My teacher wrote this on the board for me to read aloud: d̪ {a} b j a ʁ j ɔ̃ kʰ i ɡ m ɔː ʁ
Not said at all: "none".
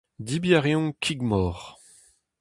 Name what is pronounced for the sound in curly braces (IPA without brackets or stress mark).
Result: i